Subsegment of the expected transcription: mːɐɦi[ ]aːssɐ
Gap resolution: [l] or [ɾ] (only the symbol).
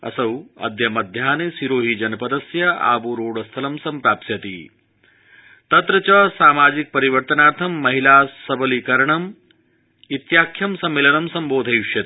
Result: l